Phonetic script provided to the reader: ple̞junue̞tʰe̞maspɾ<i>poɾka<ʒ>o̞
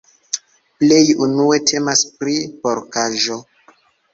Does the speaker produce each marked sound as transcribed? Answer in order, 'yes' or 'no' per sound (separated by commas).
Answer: yes, yes